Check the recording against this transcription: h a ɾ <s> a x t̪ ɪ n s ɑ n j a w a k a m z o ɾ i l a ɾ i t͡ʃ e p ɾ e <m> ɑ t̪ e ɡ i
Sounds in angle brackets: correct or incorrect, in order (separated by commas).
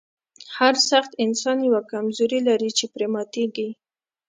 correct, correct